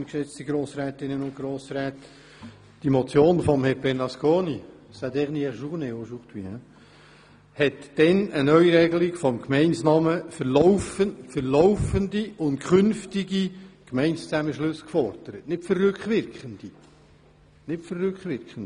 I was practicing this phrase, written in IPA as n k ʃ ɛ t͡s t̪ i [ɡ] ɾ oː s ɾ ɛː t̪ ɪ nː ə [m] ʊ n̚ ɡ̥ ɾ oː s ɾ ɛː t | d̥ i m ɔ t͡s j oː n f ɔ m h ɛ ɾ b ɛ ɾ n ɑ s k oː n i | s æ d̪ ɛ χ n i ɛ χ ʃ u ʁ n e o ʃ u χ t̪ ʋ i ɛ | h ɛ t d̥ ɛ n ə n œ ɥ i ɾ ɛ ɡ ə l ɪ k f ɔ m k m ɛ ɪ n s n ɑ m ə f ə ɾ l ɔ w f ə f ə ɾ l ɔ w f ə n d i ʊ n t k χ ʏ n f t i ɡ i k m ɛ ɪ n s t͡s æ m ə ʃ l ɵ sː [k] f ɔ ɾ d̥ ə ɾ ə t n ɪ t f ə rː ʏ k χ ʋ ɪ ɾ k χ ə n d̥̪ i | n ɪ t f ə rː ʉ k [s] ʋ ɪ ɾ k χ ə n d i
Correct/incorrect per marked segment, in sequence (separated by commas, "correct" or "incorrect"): correct, incorrect, correct, incorrect